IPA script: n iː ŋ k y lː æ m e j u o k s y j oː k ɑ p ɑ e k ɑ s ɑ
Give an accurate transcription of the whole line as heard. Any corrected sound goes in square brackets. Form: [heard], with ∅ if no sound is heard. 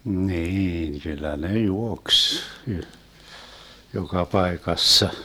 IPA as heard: n iː [n] k y lː æ [n] e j u o k s y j [o] k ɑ p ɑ e k ɑ [sː] ɑ